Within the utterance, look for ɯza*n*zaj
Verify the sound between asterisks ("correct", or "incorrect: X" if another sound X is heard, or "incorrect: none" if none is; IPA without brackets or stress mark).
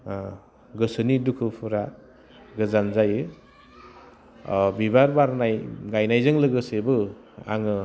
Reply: correct